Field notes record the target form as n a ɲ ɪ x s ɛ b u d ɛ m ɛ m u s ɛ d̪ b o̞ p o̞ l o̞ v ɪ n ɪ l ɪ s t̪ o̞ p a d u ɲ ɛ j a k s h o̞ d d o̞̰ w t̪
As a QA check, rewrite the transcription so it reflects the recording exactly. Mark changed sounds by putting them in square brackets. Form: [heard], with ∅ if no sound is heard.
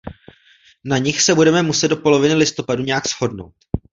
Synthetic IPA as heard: n a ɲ ɪ x s ɛ b u d ɛ m ɛ m u s ɛ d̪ [d] o̞ p o̞ l o̞ v ɪ n ɪ l ɪ s t̪ o̞ p a d u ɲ ɛ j a k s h o̞ d [n] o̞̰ w t̪